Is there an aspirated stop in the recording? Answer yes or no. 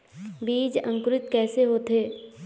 no